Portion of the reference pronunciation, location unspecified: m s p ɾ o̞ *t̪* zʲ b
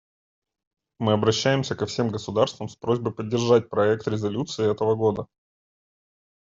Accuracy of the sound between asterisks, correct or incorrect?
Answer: incorrect